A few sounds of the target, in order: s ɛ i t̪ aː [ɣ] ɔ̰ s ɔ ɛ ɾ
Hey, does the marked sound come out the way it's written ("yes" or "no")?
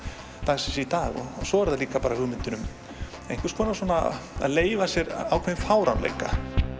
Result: yes